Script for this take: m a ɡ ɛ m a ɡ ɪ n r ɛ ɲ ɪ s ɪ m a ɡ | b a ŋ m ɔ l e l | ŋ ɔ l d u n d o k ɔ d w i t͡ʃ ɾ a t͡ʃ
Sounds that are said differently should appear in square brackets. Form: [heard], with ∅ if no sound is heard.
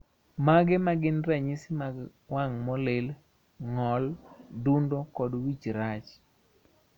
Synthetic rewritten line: m a ɡ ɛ m a ɡ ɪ n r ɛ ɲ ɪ s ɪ m a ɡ | [w] a ŋ m ɔ l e l | ŋ ɔ l d u n d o k ɔ d w i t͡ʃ ɾ a t͡ʃ